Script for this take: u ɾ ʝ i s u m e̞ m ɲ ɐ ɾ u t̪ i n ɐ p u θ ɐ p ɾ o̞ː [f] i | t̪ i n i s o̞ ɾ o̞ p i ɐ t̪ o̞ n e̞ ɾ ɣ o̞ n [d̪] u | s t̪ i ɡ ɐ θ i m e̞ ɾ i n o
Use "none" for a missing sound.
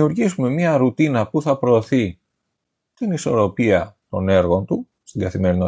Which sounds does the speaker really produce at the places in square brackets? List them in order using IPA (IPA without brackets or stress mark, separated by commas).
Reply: θ, t̪